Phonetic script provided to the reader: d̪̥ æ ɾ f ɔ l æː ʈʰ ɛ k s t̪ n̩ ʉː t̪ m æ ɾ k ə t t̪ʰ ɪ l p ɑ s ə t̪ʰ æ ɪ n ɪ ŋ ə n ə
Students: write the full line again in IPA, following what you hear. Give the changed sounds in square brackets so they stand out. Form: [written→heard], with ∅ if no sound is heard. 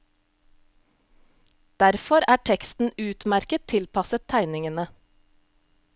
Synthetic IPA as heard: d̪̥ æ ɾ f ɔ [l→ɾ] æː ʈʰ ɛ k s t̪ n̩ ʉː t̪ m æ ɾ k ə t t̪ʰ ɪ l p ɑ s ə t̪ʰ æ ɪ n ɪ ŋ ə n ə

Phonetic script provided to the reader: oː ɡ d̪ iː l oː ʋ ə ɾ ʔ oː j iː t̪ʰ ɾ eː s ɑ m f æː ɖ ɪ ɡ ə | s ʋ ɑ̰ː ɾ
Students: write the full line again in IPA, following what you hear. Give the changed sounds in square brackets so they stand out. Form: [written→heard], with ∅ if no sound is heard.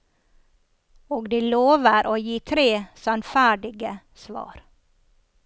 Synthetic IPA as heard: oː ɡ d̪ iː l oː ʋ ə ɾ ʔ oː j iː t̪ʰ ɾ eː s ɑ [m→n] f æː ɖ ɪ ɡ ə | s ʋ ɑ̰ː ɾ

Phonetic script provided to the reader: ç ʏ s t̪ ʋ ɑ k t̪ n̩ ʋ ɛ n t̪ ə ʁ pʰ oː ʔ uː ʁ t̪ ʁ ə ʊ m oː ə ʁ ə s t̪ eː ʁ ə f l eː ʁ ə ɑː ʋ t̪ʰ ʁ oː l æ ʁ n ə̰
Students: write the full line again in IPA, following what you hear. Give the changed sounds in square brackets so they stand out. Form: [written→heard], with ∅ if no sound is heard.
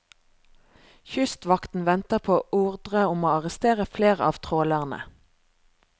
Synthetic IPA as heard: ç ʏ s t̪ ʋ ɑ k t̪ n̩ ʋ ɛ n t̪ ə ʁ pʰ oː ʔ uː ʁ [t̪→d̪] ʁ ə ʊ m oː [ə→ɑ] ʁ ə s t̪ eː ʁ ə f l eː ʁ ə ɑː ʋ t̪ʰ ʁ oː l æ ʁ n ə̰

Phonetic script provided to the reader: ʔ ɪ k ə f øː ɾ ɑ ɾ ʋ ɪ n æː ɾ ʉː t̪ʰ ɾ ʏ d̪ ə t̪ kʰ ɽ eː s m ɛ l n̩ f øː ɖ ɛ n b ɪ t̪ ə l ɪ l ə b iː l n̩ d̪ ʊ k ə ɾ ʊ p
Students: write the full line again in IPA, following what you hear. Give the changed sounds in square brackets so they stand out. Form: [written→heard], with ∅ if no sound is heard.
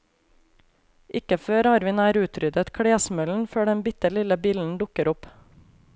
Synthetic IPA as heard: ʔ ɪ k ə f øː ɾ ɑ ɾ ʋ ɪ n æː ɾ ʉː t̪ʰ ɾ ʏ d̪ ə t̪ kʰ ɽ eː s m [ɛ→œ] l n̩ f øː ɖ ɛ n b ɪ t̪ ə l ɪ l ə b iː l n̩ d̪ ʊ k ə ɾ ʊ p

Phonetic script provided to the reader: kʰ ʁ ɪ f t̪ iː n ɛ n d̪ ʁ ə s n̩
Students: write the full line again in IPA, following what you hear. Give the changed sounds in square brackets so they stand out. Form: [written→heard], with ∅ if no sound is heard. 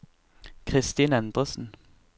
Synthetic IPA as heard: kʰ ʁ ɪ [f→s] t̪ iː n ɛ n d̪ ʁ ə s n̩

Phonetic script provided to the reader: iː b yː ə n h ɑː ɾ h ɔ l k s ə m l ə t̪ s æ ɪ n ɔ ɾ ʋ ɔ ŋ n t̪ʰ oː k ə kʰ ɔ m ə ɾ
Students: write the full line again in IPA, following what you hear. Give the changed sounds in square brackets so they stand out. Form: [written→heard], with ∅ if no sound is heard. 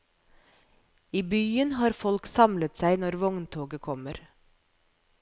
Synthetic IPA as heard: iː b yː ə n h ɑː ɾ [h→f] ɔ l k s [ə→ɑ] m l ə t̪ s æ ɪ n ɔ ɾ ʋ ɔ ŋ n t̪ʰ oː [k→ɡ] ə kʰ ɔ m ə ɾ

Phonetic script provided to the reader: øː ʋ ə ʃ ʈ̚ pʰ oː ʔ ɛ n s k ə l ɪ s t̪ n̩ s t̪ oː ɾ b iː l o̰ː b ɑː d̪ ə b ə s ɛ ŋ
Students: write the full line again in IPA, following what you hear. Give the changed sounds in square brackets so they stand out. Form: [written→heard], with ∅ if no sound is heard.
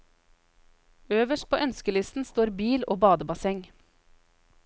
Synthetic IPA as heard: øː ʋ ə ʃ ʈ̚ pʰ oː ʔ [ɛ→œ] n s k ə l ɪ s t̪ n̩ s t̪ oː ɾ b iː l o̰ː b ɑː d̪ ə b [ə→ɑ] s ɛ ŋ

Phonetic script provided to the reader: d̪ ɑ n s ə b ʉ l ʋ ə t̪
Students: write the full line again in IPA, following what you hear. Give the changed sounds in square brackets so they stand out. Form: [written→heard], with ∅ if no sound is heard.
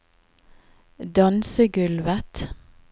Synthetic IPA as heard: d̪ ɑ n s ə [b→ɡ] ʉ l ʋ ə t̪

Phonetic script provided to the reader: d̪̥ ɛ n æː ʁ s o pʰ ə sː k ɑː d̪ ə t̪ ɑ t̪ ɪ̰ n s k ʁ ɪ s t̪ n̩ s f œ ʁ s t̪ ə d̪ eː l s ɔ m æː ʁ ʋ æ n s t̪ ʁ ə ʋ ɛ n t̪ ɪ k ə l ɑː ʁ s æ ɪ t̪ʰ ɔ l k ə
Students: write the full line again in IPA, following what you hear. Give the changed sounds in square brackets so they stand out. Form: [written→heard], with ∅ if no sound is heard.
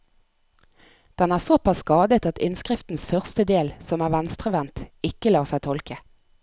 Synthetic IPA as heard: d̪̥ ɛ n æː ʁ s o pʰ [ə→ɑ] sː k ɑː d̪ ə t̪ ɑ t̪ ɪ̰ n s k ʁ ɪ [s→f] t̪ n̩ s f œ ʁ s t̪ ə d̪ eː l s ɔ m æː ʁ ʋ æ n s t̪ ʁ ə ʋ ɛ n t̪ ɪ k ə l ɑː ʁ s æ ɪ t̪ʰ ɔ l k ə

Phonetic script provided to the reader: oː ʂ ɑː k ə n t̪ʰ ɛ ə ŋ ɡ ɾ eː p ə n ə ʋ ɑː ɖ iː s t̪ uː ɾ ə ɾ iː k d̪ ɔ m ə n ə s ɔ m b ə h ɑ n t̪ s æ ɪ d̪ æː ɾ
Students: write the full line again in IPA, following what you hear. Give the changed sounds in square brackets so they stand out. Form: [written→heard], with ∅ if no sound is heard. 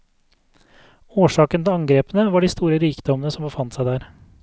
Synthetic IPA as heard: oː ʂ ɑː k ə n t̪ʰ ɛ [ə→ɑ] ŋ ɡ ɾ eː p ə n ə ʋ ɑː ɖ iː s t̪ uː ɾ ə ɾ iː k d̪ ɔ m ə n ə s ɔ m b ə [h→f] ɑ n t̪ s æ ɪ d̪ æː ɾ

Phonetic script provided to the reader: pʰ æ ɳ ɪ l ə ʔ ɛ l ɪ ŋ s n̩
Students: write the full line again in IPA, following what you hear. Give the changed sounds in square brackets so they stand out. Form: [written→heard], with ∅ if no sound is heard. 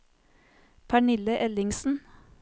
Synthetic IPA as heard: pʰ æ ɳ ɪ l ə ʔ ɛ l ɪ ŋ s n̩

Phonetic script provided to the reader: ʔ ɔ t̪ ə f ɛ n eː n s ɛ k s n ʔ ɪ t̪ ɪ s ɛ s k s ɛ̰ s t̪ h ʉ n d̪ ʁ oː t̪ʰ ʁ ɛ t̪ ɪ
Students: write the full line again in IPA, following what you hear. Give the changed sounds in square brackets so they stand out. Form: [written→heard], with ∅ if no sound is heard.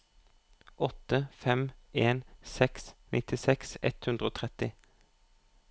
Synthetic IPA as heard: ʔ ɔ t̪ ə f ɛ [n→m] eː n s ɛ k s n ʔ ɪ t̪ ɪ s ɛ [s→∅] k s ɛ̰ [s→∅] t̪ h ʉ n d̪ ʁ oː t̪ʰ ʁ ɛ t̪ ɪ

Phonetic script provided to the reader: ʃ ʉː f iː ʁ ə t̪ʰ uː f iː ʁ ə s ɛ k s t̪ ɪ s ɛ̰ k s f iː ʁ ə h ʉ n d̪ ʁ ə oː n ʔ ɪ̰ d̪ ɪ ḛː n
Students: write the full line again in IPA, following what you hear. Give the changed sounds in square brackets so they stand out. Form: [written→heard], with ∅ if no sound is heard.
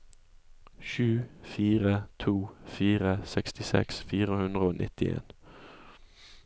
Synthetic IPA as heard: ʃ ʉː f iː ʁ ə t̪ʰ uː f iː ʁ ə s ɛ k s t̪ ɪ s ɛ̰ k s f iː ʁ ə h ʉ n d̪ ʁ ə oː n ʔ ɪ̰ [d̪→t̪] ɪ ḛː n

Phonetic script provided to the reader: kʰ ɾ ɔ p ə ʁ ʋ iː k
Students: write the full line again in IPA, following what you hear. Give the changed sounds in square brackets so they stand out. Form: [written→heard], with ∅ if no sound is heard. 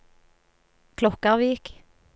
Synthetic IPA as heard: kʰ [ɾ→l] ɔ [p→k] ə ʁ ʋ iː k

